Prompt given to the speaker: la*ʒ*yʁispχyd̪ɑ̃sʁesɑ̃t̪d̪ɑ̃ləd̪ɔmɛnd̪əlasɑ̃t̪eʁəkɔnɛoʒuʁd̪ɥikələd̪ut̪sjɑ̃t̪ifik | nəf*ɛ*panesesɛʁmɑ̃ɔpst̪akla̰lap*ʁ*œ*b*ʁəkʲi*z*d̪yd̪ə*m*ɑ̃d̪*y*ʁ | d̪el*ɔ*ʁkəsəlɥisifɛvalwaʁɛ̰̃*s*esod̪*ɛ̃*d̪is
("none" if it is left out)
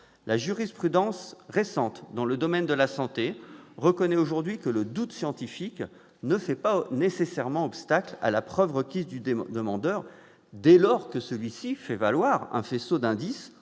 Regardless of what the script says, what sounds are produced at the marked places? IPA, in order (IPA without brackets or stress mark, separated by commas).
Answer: ʒ, ɛ, χ, v, z, m, œ, ɔ, f, ɛ̃